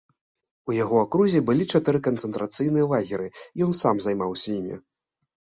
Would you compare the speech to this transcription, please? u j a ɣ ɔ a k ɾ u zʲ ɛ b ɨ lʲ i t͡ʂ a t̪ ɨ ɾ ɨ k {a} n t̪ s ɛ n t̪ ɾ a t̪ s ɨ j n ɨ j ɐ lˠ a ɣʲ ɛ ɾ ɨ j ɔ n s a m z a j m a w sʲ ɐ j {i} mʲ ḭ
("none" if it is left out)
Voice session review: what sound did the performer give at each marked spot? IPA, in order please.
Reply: ɐ, i

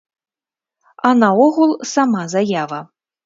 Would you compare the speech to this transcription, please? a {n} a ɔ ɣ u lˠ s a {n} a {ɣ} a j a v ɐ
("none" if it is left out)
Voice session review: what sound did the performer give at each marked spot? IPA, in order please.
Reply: n, m, z

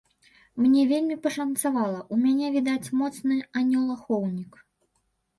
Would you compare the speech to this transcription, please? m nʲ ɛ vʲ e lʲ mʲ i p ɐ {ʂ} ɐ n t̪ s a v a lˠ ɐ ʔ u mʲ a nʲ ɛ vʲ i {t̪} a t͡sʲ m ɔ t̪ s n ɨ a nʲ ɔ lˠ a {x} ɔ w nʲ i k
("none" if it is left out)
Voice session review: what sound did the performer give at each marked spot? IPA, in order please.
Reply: ʂ, d̪, x

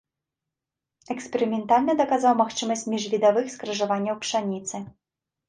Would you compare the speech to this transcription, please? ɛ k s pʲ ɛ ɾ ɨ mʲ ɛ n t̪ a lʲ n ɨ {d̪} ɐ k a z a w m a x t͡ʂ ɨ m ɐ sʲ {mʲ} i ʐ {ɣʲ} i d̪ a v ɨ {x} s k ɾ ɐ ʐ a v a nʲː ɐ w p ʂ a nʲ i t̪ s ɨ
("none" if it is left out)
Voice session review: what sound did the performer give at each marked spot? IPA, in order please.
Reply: d̪, mʲ, vʲ, x

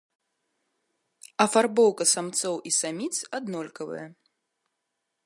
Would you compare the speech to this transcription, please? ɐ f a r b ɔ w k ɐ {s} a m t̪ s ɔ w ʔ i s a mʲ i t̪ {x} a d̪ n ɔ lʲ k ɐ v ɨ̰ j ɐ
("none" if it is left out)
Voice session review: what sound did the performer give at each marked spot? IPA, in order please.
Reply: s, s

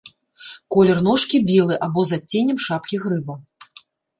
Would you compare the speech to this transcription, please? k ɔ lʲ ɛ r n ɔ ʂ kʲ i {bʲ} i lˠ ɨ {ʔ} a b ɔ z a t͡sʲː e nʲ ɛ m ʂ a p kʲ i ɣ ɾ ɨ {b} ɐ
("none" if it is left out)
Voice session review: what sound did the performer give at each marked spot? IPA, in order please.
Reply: bʲ, ʔ, b

